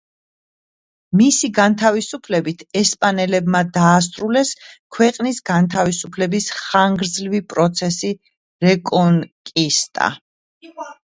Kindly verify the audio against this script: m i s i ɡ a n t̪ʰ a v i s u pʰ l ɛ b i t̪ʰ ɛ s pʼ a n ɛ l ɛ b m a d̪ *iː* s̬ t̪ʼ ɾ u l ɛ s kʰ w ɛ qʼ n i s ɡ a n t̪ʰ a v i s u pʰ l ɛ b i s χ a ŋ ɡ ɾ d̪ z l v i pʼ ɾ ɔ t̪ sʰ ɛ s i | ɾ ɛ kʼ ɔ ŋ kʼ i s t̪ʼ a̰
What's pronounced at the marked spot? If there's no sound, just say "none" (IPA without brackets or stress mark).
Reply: aː